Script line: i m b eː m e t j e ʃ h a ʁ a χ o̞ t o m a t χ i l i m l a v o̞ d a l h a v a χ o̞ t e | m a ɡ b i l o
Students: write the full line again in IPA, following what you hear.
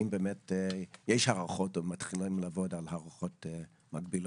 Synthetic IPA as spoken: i m b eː m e t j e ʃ h a ʁ a χ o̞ t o m a t χ i l i m l a v o̞ d a l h a ʁ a χ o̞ t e | m a ɡ b i l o